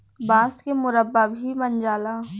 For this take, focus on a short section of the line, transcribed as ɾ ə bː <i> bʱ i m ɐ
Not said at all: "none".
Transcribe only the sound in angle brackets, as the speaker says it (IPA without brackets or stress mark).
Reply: a